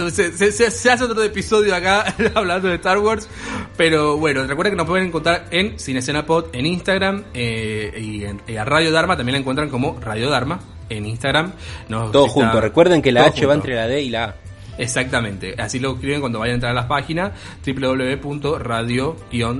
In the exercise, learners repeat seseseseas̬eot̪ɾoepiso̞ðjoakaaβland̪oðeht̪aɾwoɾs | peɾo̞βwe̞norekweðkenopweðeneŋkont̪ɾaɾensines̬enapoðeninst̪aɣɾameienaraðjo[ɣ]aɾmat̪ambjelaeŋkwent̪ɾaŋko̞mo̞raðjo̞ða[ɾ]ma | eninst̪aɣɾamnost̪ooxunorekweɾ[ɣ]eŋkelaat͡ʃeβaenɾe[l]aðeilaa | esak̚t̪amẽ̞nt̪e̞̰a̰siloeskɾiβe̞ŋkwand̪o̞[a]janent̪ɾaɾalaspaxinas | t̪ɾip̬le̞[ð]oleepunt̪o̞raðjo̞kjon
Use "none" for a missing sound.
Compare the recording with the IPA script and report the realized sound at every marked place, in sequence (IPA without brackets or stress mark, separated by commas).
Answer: ð, ɾ, ð, l, a, ð